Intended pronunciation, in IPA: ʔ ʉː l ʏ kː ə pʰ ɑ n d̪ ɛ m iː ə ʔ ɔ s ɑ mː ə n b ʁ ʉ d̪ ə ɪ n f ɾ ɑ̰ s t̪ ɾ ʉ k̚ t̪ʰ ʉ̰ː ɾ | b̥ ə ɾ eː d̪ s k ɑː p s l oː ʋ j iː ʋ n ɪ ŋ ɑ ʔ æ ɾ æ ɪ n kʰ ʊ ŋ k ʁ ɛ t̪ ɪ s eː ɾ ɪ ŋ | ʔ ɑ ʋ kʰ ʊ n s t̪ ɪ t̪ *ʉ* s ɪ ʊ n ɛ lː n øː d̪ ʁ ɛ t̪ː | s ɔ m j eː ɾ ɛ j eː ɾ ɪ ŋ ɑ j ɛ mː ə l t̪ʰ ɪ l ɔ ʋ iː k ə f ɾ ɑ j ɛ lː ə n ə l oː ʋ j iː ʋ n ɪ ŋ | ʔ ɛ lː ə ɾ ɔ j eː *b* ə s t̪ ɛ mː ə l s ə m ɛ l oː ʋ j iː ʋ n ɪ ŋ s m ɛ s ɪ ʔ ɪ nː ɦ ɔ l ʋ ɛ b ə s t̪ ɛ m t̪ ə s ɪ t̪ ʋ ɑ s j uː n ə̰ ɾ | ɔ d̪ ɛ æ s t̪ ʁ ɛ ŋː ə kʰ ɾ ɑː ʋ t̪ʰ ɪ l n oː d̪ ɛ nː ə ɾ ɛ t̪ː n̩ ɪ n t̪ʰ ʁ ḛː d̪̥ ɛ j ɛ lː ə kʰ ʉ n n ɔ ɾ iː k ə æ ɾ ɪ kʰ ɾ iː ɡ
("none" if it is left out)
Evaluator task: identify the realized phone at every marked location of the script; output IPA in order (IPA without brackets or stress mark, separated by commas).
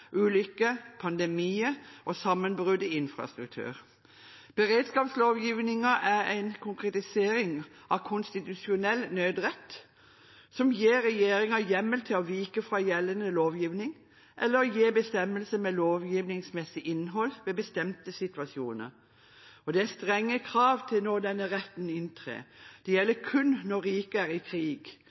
ʉ, b